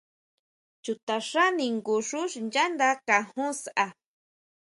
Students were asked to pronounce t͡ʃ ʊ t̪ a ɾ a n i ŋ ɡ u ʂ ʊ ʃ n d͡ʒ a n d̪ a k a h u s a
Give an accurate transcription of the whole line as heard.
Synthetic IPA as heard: t͡ʃ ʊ t̪ a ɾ a n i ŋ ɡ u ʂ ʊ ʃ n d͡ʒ a n d̪ a k a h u s a